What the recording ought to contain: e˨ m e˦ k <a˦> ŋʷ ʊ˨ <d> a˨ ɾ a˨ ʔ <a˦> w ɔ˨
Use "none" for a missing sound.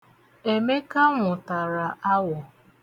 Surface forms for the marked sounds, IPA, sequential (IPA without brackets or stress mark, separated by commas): a˦, t, a˦